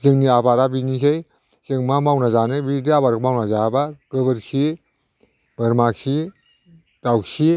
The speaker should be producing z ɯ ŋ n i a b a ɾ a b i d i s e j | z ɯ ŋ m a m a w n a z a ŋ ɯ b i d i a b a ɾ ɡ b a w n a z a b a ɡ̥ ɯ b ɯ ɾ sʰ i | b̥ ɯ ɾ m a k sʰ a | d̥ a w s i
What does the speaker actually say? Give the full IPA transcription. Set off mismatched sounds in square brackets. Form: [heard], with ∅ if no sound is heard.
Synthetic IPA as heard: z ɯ ŋ n i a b a ɾ a b i [n] i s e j | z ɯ ŋ m a m a w n a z a [n] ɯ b i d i a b a ɾ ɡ [m] a w n a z a b a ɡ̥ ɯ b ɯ ɾ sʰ i | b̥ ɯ ɾ m a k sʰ [i] | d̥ a w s i